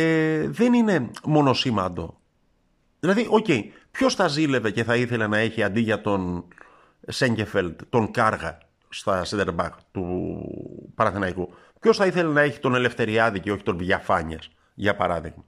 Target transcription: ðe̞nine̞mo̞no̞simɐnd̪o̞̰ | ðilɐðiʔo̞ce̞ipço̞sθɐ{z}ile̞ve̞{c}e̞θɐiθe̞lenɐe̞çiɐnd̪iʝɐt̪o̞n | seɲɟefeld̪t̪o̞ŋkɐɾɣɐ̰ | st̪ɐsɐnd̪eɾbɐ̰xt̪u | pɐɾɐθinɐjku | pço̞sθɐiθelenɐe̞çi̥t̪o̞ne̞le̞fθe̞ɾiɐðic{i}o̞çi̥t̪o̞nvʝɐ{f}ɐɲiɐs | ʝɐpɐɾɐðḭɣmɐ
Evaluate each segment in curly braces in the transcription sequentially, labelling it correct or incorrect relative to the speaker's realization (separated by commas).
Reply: correct, correct, incorrect, correct